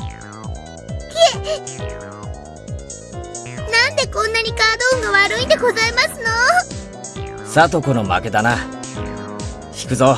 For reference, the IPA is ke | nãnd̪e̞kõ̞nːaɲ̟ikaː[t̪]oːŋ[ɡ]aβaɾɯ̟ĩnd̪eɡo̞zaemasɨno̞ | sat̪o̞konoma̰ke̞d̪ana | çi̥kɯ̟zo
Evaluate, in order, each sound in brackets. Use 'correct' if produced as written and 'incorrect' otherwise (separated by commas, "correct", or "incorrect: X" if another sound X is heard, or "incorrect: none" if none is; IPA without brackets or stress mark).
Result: incorrect: d̪, correct